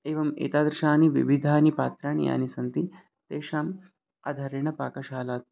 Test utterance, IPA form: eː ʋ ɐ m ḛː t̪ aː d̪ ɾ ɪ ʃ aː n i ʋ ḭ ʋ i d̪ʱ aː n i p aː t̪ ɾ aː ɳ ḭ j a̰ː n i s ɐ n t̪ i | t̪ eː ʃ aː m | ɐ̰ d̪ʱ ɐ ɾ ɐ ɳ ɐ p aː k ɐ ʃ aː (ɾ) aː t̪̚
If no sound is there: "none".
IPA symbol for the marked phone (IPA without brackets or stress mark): l